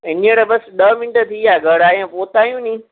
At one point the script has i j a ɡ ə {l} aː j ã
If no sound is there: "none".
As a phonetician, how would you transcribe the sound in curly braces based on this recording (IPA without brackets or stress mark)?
ɽ